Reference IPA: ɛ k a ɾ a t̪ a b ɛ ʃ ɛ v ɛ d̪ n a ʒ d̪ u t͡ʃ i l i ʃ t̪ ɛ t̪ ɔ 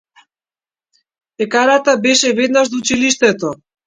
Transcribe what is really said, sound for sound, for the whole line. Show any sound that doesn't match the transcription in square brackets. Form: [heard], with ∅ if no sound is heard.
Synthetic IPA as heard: ɛ k a ɾ a t̪ a b ɛ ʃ ɛ v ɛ d̪ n a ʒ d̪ u t͡ʃ i l i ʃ t̪ ɛ t̪ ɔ